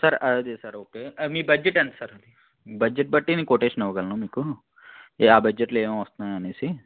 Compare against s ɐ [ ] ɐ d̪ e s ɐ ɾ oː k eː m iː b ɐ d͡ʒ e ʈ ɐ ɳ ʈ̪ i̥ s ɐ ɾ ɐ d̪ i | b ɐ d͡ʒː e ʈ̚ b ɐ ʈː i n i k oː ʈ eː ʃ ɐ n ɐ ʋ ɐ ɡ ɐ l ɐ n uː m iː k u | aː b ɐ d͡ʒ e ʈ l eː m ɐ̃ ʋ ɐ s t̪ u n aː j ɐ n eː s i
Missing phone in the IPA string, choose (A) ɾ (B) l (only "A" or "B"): A